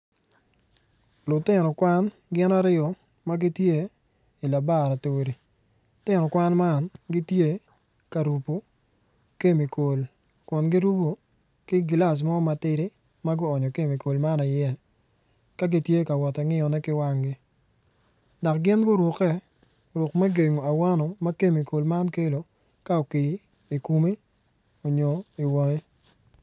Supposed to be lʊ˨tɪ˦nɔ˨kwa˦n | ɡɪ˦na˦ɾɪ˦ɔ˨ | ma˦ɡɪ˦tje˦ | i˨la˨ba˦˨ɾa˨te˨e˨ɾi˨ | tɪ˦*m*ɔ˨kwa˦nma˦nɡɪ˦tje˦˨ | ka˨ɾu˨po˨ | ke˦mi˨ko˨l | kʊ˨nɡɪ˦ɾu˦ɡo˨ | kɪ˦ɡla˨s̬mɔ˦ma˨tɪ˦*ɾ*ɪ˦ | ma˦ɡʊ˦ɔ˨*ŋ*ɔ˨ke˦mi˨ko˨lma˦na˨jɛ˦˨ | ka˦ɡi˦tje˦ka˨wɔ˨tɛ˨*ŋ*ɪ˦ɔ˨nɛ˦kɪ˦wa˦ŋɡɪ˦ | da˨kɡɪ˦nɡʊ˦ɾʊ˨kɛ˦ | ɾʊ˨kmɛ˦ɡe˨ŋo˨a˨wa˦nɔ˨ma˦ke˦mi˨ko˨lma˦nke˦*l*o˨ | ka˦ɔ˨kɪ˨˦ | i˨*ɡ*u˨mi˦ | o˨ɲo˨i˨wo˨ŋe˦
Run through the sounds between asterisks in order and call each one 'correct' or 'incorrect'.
incorrect: n, correct, incorrect: ɲ, correct, correct, incorrect: k

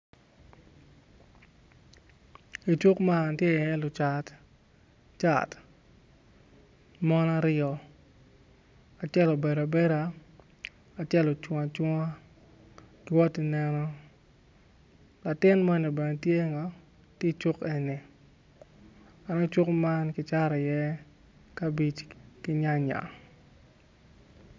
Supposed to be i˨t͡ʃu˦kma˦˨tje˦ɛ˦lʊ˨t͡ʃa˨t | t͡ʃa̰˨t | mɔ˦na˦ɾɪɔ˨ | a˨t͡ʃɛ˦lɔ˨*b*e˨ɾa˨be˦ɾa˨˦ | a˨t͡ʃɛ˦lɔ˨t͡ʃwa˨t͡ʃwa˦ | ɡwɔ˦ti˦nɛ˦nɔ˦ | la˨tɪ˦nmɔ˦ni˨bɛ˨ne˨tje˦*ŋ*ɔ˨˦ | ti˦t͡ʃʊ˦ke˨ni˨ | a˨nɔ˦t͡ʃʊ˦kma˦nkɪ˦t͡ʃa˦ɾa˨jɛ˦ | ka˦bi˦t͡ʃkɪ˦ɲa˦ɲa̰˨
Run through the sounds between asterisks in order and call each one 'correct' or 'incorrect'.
correct, correct

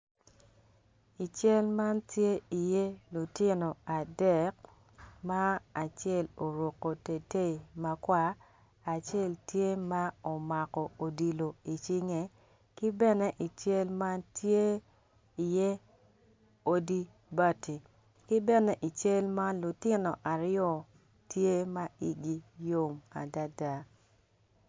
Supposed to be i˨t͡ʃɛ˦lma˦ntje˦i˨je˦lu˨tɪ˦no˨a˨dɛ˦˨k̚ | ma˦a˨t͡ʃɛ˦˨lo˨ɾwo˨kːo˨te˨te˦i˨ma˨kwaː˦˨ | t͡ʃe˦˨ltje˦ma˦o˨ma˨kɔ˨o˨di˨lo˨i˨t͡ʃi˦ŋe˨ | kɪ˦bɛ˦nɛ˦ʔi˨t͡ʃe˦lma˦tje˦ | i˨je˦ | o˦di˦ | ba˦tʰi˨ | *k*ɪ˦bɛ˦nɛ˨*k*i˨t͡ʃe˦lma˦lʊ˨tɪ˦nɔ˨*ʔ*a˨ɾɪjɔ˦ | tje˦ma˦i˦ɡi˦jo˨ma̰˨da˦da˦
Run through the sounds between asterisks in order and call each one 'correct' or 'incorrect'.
correct, incorrect: ʔ, correct

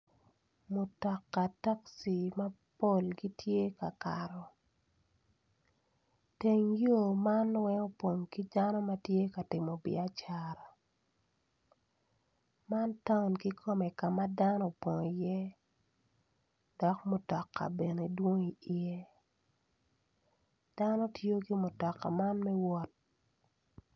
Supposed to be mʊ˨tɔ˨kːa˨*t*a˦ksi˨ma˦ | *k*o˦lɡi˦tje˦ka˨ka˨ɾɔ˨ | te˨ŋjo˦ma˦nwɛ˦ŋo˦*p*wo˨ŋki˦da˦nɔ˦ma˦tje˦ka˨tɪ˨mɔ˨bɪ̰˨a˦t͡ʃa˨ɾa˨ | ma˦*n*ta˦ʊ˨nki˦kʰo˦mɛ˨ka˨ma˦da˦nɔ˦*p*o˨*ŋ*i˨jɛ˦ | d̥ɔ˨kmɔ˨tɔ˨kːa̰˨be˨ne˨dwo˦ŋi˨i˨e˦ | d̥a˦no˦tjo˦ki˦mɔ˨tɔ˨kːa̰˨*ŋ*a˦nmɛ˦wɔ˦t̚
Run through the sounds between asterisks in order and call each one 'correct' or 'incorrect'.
correct, incorrect: p, correct, correct, correct, correct, incorrect: m

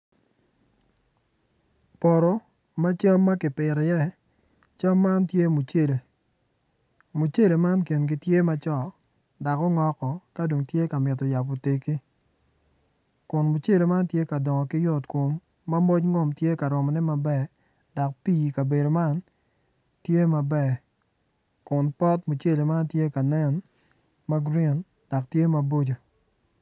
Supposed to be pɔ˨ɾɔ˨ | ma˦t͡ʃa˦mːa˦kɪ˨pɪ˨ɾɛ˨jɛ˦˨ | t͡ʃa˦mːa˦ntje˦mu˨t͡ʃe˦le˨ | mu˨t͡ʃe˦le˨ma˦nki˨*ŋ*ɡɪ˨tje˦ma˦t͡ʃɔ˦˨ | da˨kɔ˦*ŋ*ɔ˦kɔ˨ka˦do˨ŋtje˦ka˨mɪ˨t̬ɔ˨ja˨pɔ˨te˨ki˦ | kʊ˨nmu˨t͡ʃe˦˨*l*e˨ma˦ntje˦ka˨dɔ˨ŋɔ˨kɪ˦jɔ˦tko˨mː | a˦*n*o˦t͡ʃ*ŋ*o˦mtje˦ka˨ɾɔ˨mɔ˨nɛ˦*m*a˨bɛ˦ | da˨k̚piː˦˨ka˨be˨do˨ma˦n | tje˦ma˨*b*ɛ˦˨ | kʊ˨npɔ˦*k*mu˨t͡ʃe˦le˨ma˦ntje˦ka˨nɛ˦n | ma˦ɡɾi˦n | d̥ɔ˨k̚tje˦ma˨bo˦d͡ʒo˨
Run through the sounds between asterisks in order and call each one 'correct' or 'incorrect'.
incorrect: n, correct, correct, incorrect: m, correct, correct, correct, incorrect: t

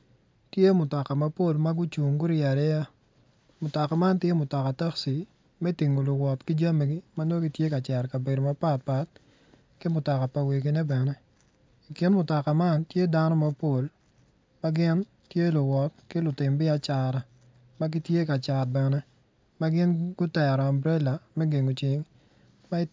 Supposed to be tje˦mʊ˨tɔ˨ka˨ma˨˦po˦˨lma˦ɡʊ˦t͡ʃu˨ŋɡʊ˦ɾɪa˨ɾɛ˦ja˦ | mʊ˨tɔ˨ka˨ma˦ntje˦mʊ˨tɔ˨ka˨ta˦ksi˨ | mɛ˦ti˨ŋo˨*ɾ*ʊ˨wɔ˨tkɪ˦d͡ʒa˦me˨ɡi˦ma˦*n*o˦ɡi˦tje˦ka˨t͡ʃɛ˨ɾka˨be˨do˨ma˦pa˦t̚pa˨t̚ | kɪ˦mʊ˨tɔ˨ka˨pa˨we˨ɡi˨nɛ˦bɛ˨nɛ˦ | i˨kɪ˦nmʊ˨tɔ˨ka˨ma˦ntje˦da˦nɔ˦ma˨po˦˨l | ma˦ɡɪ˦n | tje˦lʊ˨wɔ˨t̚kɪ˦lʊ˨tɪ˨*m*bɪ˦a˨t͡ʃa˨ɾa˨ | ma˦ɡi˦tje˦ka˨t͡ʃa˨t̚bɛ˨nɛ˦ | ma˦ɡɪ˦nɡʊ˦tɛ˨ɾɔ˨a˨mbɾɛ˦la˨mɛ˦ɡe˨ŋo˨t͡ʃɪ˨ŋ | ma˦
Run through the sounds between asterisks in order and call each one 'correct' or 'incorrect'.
incorrect: l, correct, correct

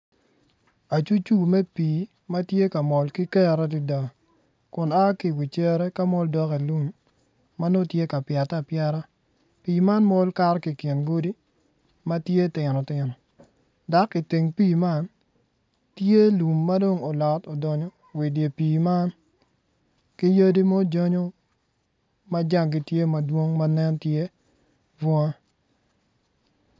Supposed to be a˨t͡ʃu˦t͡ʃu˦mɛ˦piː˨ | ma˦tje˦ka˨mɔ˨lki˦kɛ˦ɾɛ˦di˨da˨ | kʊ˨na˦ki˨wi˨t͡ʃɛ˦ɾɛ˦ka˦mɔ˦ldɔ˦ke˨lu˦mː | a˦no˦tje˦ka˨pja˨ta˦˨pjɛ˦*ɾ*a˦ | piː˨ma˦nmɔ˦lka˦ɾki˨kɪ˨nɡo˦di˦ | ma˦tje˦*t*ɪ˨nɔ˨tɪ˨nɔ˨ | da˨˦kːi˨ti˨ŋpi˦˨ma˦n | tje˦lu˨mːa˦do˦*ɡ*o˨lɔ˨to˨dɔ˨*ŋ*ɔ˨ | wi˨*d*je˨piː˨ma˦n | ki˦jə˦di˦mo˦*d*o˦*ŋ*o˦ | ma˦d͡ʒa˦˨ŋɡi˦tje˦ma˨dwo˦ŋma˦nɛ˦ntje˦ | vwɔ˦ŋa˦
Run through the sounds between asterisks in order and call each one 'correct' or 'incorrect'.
correct, correct, incorrect: ŋ, incorrect: ɲ, correct, incorrect: d͡ʒ, incorrect: ɲ

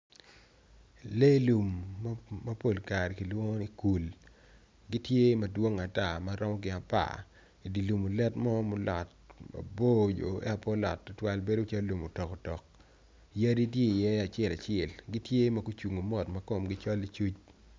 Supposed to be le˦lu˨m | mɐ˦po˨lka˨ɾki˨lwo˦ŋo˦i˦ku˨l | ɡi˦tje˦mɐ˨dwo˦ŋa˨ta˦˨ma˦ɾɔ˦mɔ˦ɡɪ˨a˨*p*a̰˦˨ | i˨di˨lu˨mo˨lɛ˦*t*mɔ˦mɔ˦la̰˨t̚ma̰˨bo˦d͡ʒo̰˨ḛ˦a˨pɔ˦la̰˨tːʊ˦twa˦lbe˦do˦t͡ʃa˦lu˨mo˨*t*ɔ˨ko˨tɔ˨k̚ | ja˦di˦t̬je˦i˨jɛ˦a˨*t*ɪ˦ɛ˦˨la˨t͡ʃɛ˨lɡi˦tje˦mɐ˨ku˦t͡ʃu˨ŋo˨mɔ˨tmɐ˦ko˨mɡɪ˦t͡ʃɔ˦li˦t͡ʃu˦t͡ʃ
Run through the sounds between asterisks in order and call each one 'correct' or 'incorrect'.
correct, correct, correct, incorrect: t͡ʃ

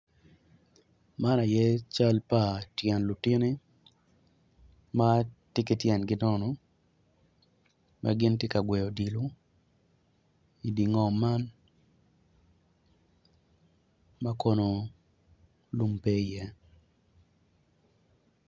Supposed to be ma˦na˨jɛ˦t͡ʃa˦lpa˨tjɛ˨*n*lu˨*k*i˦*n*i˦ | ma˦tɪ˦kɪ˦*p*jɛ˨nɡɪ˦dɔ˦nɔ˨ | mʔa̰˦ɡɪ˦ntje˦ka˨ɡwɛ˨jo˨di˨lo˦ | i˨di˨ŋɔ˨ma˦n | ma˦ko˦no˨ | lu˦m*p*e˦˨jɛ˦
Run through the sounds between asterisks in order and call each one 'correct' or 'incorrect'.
correct, incorrect: t, correct, incorrect: t, correct

